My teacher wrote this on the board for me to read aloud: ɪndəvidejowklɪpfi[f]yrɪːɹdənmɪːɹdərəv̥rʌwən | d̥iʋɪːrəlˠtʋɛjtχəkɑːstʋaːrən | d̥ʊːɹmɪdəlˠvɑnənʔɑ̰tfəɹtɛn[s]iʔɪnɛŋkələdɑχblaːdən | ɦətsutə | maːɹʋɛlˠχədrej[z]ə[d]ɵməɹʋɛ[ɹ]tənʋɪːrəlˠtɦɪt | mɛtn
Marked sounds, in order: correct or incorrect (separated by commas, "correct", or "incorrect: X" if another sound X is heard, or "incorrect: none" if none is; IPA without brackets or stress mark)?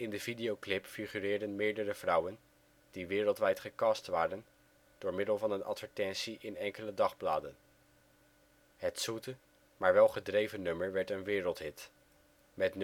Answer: incorrect: χ, correct, incorrect: v, incorrect: n, correct